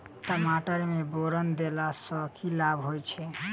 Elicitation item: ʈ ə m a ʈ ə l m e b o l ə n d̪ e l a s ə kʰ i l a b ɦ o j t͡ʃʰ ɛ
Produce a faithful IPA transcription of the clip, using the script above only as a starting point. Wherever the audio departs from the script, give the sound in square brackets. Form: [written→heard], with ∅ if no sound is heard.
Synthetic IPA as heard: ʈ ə m a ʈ ə [l→ɾ] m e b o [l→ɾ] ə n d̪ e l a s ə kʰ i l a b ɦ o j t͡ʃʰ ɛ

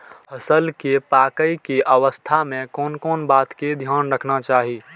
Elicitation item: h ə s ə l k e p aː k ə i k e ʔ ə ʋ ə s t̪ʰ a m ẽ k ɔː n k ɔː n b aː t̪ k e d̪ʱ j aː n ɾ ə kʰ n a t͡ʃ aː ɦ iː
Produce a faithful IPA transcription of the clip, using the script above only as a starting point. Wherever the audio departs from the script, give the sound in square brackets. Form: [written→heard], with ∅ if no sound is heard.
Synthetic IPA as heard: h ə s ə l k e p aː k ə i k e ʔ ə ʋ ə s t̪ʰ a m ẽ k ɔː n k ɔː n b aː t̪ k e d̪ʱ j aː n ɾ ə kʰ n a t͡ʃ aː ɦ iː

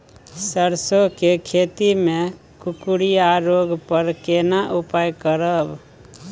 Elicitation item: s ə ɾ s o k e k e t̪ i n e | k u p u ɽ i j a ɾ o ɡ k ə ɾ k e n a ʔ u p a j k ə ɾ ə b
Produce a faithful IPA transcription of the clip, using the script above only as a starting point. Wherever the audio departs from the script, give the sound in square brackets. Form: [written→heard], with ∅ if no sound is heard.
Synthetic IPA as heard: s ə ɾ s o k e [k→kʰ] e t̪ i [n→m] e | k u [p→k] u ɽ i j a ɾ o ɡ [k→p] ə ɾ k e n a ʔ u p a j k ə ɾ ə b

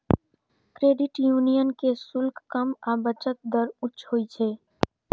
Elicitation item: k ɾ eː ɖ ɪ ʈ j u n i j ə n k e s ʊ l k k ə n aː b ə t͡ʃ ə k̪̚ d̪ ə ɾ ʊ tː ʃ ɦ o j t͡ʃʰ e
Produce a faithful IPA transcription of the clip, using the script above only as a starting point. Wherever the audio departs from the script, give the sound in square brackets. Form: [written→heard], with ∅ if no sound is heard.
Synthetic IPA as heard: k ɾ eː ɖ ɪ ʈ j u n i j ə n k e s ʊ l k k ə [n→m] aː b ə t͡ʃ ə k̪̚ d̪ ə ɾ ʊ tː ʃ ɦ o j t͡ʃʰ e

